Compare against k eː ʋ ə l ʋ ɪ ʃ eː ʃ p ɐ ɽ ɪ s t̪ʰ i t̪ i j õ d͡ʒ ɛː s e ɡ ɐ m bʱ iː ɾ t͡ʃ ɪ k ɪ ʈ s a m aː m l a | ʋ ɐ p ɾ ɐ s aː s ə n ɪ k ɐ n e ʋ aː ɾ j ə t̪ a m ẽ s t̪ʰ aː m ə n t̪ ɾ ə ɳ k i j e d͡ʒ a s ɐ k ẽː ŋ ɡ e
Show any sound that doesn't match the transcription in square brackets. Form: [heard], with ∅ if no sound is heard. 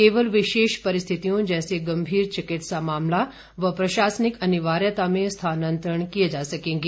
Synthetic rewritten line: k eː ʋ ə l ʋ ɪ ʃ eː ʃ p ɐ [ɾ] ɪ s t̪ʰ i t̪ i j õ d͡ʒ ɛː s e ɡ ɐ m bʱ iː ɾ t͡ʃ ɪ k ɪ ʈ s a m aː m l a | ʋ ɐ p ɾ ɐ [ʃ] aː s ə n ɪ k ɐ n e ʋ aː ɾ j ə t̪ a m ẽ s t̪ʰ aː [n] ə n t̪ ɾ ə ɳ k i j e d͡ʒ a s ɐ k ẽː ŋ ɡ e

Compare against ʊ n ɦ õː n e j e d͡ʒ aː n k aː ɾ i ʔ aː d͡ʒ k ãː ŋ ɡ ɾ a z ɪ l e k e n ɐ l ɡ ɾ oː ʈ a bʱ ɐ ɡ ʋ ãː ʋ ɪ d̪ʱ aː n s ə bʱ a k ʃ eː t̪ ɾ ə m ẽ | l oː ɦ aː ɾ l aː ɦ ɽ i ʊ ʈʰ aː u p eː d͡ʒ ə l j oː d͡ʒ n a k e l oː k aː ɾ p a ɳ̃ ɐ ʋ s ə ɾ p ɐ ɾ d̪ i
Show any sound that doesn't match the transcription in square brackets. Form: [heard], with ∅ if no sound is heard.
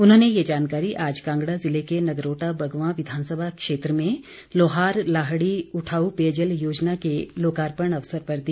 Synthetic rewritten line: ʊ n ɦ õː n e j e d͡ʒ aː n k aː ɾ i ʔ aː d͡ʒ k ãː ŋ ɡ [ɽ] a z ɪ l e k e n ɐ [∅] ɡ ɾ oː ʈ a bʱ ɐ ɡ ʋ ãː ʋ ɪ d̪ʱ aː n s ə bʱ a k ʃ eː t̪ ɾ ə m ẽ | l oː ɦ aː ɾ l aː ɦ ɽ i ʊ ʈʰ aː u p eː d͡ʒ ə l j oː d͡ʒ n a k e l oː k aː ɾ p [ə] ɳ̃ ɐ ʋ s ə ɾ p ɐ ɾ d̪ i

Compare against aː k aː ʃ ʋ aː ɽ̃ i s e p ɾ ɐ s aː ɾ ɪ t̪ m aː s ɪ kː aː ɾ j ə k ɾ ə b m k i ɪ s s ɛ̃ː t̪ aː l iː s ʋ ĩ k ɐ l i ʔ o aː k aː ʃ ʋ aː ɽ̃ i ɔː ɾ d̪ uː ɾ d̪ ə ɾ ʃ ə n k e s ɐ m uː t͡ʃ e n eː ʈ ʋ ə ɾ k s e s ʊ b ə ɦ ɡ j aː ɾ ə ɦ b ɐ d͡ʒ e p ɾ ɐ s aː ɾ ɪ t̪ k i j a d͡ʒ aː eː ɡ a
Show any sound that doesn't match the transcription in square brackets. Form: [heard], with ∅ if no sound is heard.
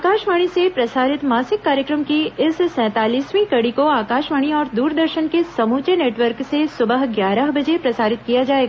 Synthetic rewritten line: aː k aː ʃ ʋ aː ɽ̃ i s e p ɾ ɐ s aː ɾ ɪ t̪ m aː s ɪ kː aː ɾ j ə k ɾ ə [∅] m k i ɪ s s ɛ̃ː t̪ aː l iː s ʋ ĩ k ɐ [ɽ] i [k] o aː k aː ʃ ʋ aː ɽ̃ i ɔː ɾ d̪ uː ɾ d̪ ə ɾ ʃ ə n k e s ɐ m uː t͡ʃ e n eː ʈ ʋ ə ɾ k s e s ʊ b ə ɦ ɡ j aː ɾ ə ɦ b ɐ d͡ʒ e p ɾ ɐ s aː ɾ ɪ t̪ k i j a d͡ʒ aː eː ɡ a

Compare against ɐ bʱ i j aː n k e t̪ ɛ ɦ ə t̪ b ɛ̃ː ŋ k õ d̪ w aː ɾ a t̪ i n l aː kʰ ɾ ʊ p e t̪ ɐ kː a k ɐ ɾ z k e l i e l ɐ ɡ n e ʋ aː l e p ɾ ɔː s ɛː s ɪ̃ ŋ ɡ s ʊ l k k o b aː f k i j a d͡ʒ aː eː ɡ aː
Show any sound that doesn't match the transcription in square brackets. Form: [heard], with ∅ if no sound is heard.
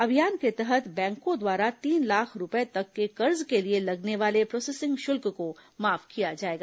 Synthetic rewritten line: ɐ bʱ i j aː n k e t̪ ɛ ɦ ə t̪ b ɛ̃ː ŋ k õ d̪ w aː ɾ a t̪ [iː] n l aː kʰ ɾ ʊ p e t̪ ɐ kː [e] k ɐ ɾ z k e l i e l ɐ ɡ n e ʋ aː l e p ɾ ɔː s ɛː s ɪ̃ ŋ ɡ [ʃ] ʊ l k k o [m] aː f k i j a d͡ʒ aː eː ɡ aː

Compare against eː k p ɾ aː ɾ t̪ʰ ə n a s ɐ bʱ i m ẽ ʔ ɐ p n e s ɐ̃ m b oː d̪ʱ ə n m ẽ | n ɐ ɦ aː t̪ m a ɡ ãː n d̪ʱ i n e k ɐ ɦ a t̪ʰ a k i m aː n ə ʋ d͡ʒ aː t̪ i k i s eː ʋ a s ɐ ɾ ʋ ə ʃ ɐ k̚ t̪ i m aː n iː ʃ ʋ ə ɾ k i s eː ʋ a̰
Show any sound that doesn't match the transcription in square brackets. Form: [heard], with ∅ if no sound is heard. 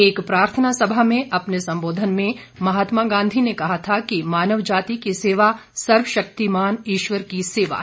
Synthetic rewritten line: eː k p ɾ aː ɾ t̪ʰ ə n a s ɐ bʱ [a] m ẽ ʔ ɐ p n e s ɐ̃ m b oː d̪ʱ ə n m ẽ | [m] ɐ ɦ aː t̪ m a ɡ ãː n d̪ʱ i n e k ɐ ɦ a t̪ʰ a k i m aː n ə ʋ d͡ʒ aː t̪ i k i s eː ʋ a s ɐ ɾ ʋ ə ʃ ɐ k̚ t̪ i m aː n iː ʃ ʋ ə ɾ k i s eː ʋ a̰

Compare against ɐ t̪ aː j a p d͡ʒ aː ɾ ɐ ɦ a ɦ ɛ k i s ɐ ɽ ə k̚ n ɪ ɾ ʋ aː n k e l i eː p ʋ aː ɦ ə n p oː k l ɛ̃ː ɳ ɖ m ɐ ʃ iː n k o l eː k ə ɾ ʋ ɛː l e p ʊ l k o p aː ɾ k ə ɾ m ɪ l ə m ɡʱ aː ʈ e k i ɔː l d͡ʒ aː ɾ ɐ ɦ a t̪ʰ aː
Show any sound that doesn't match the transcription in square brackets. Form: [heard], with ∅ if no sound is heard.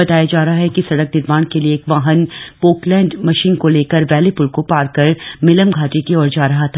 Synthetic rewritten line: ɐ t̪ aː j a [∅] d͡ʒ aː ɾ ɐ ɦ a ɦ ɛ k i s ɐ ɽ ə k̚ n ɪ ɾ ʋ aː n k e l i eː [k] ʋ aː ɦ ə n p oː k l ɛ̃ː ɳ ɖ m ɐ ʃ iː n k o l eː k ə ɾ ʋ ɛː l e p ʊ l k o p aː ɾ k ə ɾ m ɪ l ə m ɡʱ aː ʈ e k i ɔː [ɾ] d͡ʒ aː ɾ ɐ ɦ a t̪ʰ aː

